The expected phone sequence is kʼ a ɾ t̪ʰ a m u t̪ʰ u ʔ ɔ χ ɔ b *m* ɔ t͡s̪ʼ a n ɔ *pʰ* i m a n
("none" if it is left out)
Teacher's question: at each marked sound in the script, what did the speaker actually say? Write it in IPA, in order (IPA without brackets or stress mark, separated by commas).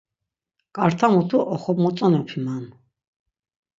m, pʰ